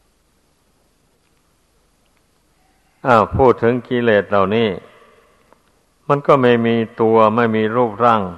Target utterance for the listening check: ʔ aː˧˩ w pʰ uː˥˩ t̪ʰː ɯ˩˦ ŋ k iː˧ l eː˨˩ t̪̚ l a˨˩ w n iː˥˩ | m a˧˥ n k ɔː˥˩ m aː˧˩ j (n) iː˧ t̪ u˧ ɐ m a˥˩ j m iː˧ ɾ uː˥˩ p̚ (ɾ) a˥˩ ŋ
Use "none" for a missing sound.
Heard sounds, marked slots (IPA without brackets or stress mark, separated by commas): m, ɾ